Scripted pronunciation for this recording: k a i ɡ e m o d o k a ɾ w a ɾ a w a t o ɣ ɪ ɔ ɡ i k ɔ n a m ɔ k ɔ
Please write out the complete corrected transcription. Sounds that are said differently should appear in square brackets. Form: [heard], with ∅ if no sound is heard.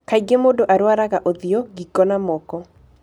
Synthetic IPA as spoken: k a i ɡ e m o d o [ʔ] a ɾ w a ɾ a [ɣ] a [ʔ] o [ð] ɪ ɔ ɡ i k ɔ n a m ɔ k ɔ